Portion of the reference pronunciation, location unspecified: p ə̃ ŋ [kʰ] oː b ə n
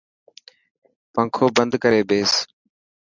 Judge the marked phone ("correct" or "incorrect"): correct